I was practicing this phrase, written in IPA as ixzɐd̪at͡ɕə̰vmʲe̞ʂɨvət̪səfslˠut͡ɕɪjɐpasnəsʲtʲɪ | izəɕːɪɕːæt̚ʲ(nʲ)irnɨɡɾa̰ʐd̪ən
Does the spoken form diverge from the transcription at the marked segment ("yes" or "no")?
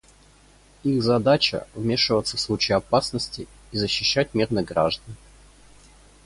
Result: yes